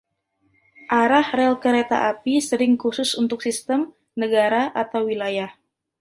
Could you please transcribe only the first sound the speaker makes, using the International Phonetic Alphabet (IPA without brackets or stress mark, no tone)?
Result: ʔ